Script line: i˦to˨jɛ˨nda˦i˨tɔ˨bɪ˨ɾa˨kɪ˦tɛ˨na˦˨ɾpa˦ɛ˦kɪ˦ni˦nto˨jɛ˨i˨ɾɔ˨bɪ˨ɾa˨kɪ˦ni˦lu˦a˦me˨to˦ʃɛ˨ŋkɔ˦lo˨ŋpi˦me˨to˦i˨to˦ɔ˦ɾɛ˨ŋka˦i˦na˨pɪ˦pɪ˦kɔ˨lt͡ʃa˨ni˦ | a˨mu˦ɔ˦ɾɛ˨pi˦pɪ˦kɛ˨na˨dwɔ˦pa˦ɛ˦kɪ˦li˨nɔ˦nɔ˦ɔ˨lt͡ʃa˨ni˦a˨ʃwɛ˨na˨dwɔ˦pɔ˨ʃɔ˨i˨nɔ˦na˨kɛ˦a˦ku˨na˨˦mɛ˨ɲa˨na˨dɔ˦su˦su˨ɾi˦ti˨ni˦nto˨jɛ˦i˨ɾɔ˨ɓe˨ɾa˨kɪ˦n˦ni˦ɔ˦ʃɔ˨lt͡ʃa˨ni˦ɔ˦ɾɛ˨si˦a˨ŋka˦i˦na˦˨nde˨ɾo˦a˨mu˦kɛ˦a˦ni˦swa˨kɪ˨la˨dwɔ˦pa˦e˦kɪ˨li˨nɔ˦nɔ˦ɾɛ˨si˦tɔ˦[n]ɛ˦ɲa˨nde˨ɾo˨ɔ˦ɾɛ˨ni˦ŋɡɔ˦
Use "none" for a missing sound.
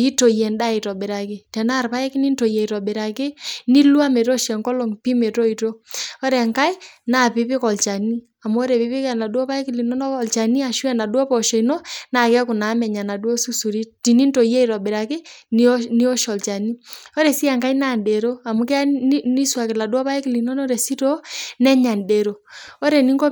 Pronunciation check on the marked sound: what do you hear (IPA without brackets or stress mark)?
n